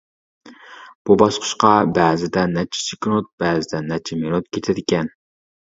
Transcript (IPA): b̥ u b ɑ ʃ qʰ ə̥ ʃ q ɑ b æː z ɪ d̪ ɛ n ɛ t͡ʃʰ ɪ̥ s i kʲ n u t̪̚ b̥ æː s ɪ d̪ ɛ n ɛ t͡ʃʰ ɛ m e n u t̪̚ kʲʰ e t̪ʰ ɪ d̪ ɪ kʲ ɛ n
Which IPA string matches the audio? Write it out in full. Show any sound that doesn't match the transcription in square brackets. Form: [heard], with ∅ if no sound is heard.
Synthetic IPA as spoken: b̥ u b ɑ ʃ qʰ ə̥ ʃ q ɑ b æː z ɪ d̪ ɛ n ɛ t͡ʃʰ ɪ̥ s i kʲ n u t̪̚ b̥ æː [z] ɪ d̪ ɛ n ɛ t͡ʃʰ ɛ m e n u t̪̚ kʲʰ e t̪ʰ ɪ d̪ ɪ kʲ ɛ n